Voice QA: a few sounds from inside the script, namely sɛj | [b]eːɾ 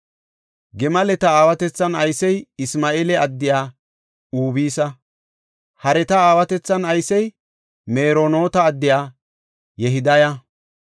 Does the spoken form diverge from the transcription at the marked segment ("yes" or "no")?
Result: yes